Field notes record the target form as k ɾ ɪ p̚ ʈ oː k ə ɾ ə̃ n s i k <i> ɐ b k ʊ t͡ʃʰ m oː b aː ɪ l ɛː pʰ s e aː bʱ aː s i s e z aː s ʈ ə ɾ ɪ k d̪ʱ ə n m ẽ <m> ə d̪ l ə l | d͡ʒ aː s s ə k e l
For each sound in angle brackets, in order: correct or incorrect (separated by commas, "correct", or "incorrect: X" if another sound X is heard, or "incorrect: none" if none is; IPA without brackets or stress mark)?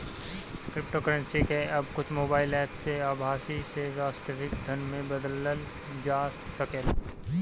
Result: incorrect: e, incorrect: b